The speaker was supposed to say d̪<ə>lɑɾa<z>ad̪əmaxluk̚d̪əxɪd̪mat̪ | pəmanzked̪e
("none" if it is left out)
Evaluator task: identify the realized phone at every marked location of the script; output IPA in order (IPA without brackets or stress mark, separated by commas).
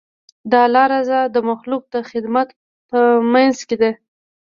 ɑ, z